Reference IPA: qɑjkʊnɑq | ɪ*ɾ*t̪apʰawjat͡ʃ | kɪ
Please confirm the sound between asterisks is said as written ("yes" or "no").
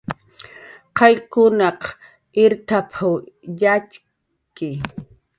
yes